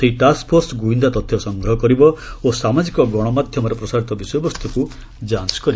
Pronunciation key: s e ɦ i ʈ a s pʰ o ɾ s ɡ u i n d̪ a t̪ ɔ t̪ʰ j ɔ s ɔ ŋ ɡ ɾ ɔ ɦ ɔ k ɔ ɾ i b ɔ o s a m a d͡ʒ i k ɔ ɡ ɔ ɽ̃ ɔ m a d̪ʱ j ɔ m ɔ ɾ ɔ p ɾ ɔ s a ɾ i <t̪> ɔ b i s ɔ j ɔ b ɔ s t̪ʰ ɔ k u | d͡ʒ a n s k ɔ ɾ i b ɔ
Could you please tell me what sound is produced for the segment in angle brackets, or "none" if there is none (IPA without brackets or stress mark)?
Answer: t̪